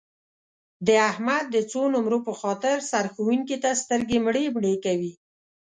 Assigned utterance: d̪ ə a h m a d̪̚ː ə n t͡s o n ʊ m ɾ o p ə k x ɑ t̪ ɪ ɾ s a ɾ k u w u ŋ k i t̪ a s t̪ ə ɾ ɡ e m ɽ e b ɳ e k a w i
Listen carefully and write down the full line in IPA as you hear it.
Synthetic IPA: d̪ ə a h m a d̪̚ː ə t͡s o n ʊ m ɾ o p ə x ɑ t̪ ɪ ɾ s a ɾ x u w u ŋ k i t̪ a s t̪ ə ɾ ɡ e m ɽ e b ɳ e k a w i